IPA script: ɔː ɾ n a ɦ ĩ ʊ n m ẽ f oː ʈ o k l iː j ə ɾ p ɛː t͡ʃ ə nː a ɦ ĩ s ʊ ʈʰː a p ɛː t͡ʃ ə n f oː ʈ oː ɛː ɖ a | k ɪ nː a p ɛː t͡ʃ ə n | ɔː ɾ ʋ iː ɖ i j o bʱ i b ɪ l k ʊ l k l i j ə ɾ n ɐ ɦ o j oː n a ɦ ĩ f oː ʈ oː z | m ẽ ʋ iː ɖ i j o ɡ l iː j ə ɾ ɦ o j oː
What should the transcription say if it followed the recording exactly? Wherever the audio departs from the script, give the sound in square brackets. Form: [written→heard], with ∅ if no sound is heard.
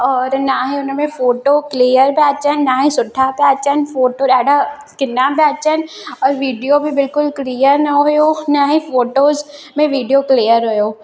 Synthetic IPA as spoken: ɔː ɾ n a ɦ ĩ ʊ n m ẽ f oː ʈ o k l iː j ə ɾ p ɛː t͡ʃ ə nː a ɦ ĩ s ʊ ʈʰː a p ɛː t͡ʃ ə n f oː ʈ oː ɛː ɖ a | k ɪ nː a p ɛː t͡ʃ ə n | ɔː ɾ ʋ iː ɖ i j o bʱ i b ɪ l k ʊ l k l i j ə ɾ n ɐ ɦ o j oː n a ɦ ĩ f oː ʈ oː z | m ẽ ʋ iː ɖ i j o [ɡ→k] l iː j ə ɾ ɦ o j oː